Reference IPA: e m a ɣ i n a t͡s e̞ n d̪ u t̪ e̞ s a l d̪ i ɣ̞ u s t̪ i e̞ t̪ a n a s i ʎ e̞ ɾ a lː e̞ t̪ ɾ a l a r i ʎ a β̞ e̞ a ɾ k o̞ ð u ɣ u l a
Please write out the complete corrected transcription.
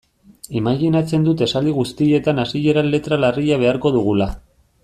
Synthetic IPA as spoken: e m a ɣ i n a t͡s e̞ n d̪ u t̪ e̞ s a l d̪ i ɣ̞ u s t̪ i e̞ t̪ a n a s i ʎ e̞ ɾ a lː e̞ t̪ ɾ a l a r i ʎ a β̞ e̞ a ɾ k o̞ ð u ɣ u l a

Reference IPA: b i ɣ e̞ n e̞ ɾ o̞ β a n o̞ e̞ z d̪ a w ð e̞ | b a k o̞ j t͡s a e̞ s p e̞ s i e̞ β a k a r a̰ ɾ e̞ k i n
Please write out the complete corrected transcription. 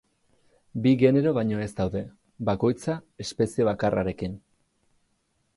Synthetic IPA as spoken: b i ɣ e̞ n e̞ ɾ o̞ β a ɲ o̞ e̞ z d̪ a w ð e̞ | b a k o̞ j t͡s a e̞ s p e̞ s i e̞ β a k a r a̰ ɾ e̞ k i n

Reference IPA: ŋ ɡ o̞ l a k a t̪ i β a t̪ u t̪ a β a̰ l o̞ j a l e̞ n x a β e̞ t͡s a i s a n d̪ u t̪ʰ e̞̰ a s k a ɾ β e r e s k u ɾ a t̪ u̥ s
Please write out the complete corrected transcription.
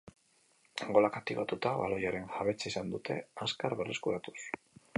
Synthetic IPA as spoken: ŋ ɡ o̞ l a k a t̪ i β a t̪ u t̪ a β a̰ l o̞ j a ɾ e̞ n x a β e̞ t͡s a i s a n d̪ u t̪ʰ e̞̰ a s k a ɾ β e r e s k u ɾ a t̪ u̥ s

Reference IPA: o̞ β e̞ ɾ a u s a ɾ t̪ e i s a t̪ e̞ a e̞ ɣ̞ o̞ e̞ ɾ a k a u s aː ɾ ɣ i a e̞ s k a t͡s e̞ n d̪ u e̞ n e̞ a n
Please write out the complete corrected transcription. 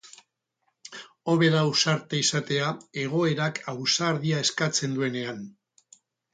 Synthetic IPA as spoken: o̞ β e̞ ɾ a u s a ɾ t̪ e i s a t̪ e̞ a e̞ ɣ̞ o̞ e̞ ɾ a k a w s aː ɾ ð i a e̞ s k a t͡s e̞ n d̪ u e̞ n e̞ a n

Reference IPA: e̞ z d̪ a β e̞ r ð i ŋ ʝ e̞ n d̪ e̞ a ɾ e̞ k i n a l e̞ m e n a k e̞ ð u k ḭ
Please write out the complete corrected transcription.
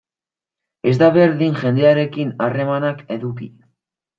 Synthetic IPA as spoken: e̞ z d̪ a β e̞ ɾ ð i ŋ ʝ e̞ n d̪ e̞ a ɾ e̞ k i n a r e̞ m a n a k e̞ ð u k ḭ

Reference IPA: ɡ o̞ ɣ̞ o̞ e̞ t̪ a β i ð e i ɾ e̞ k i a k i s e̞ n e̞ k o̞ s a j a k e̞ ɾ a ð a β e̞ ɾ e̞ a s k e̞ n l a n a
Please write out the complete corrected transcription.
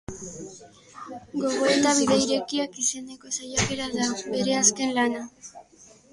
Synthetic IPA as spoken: ɡ o̞ ɣ̞ o̞ e̞ t̪ a β i ð e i ɾ e̞ k i a k i s e̞ n e̞ k o̞ s a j a k e̞ ɾ a ð a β e̞ ɾ e̞ a s k e̞ n l a n a

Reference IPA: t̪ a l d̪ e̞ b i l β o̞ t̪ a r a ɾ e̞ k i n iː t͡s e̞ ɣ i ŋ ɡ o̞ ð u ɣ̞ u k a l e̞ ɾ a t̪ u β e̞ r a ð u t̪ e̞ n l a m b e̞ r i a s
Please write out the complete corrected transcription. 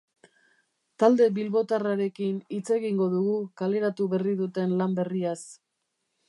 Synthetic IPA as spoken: t̪ a l d̪ e̞ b i l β o̞ t̪ a r a ɾ e̞ k i n i t͡s e̞ ɣ i ŋ ɡ o̞ ð u ɣ̞ u k a l e̞ ɾ a t̪ u β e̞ r i ð u t̪ e̞ n l a m b e̞ r i a s

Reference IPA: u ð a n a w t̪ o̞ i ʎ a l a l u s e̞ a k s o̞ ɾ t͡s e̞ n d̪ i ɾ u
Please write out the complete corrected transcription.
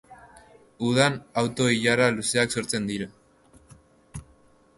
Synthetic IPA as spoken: u ð a n a w t̪ o̞ i ʎ a ɾ a l u s e̞ a k s o̞ ɾ t͡s e̞ n d̪ i ɾ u

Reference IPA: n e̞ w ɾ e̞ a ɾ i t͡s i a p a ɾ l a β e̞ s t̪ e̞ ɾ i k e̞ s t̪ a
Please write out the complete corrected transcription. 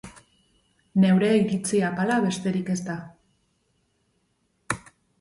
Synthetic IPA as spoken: n e̞ w ɾ e̞ i ɾ i t͡s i a p a l a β e̞ s t̪ e̞ ɾ i k e̞ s t̪ a

